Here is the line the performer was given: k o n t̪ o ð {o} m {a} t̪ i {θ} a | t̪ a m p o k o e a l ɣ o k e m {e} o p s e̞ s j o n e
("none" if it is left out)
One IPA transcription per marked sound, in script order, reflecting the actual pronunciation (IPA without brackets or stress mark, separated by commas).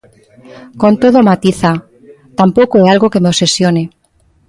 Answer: o, a, θ, e